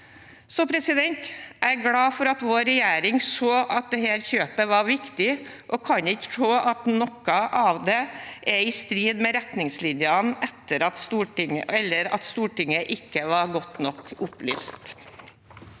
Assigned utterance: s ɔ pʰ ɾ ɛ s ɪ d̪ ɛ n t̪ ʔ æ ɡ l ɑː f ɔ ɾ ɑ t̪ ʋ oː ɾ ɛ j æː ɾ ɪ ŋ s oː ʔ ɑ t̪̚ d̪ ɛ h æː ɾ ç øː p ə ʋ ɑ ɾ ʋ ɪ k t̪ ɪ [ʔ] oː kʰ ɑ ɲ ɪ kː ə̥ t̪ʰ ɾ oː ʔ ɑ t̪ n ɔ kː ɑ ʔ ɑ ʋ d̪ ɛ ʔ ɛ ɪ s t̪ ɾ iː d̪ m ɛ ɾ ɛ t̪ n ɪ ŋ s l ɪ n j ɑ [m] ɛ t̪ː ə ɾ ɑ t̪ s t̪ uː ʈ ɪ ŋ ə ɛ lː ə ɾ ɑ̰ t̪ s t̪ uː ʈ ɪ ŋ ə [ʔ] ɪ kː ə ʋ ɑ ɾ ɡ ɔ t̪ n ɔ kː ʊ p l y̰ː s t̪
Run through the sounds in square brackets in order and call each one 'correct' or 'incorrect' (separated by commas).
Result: correct, incorrect, correct